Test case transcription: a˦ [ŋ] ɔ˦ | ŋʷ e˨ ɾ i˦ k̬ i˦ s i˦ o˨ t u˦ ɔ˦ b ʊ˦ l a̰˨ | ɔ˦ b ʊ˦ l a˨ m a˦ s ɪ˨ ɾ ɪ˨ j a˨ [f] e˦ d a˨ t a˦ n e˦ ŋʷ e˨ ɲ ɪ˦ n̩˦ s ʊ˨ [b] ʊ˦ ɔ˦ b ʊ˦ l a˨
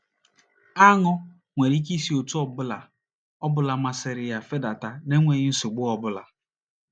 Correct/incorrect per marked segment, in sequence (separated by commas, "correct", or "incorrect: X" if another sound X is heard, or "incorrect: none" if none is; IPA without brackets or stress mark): correct, correct, incorrect: ɡ͡b